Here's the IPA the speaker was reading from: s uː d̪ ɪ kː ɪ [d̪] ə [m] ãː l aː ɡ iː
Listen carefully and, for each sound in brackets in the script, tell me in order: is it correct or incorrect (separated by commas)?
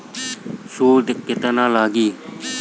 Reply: incorrect, incorrect